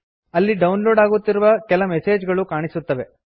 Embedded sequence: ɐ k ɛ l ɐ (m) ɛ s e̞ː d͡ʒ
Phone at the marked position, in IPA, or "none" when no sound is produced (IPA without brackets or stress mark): m